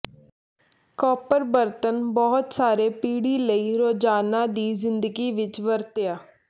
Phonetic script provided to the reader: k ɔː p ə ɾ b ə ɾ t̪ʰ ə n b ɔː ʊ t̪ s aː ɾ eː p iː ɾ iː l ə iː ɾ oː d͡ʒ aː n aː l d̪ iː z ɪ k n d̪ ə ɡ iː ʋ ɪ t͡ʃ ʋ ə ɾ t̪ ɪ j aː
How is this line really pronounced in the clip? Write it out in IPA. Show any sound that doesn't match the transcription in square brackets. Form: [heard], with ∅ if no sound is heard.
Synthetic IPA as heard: k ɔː p ə ɾ b ə ɾ [t̪] ə n b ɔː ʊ t̪ s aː ɾ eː p iː [ɽ] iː l ə iː ɾ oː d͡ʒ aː n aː [∅] d̪ iː z ɪ [∅] n d̪ ə ɡ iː ʋ ɪ t͡ʃ ʋ ə ɾ t̪ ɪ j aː